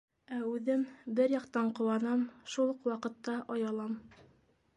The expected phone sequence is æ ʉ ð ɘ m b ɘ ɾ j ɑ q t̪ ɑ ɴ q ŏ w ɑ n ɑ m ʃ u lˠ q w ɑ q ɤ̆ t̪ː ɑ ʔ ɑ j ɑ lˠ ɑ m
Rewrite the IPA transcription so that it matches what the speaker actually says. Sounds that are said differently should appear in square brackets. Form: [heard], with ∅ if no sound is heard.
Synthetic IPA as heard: æ ʉ ð ɘ m b ɘ ɾ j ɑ q t̪ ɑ ɴ q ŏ w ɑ n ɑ m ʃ u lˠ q w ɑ q ɤ̆ t̪ː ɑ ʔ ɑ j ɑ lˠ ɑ m